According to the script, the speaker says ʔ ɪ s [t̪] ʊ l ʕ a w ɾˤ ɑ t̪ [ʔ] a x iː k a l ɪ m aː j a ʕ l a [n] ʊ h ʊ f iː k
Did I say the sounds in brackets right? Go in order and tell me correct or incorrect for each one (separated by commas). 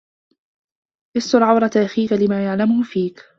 correct, correct, incorrect